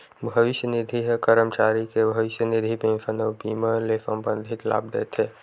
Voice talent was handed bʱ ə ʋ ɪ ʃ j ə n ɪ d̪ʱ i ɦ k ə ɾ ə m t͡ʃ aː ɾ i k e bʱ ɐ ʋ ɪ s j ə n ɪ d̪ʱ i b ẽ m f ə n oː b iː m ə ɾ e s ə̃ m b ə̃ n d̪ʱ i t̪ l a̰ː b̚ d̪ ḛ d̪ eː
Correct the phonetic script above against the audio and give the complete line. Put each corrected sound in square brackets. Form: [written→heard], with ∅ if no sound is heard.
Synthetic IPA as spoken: bʱ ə ʋ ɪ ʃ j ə n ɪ d̪ʱ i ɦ k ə ɾ ə m t͡ʃ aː ɾ i k e bʱ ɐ ʋ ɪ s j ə n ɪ d̪ʱ i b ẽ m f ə n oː b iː m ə [ɾ→l] e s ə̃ m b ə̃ n d̪ʱ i t̪ l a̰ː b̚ d̪ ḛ [d̪→t̪] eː